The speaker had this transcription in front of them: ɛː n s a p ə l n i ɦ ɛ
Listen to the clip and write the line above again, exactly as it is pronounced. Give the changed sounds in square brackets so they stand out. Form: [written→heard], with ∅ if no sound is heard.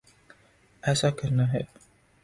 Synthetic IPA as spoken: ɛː [n→∅] s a [p→k] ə [l→ɾ] n [i→a] ɦ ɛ